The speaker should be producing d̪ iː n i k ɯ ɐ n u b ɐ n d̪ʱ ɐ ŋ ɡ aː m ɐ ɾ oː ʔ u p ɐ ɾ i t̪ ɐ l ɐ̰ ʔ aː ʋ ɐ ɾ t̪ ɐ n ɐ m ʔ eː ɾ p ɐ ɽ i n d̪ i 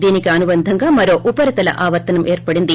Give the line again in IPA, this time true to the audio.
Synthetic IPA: d̪ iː n i k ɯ ɐ n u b ɐ n d̪ʱ ɐ ŋ ɡ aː m ɐ ɾ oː ʔ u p ɐ ɾ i t̪ ɐ l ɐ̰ ʔ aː ʋ ɐ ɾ t̪ ɐ n ɐ m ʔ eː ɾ p ɐ ɽ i n d̪ i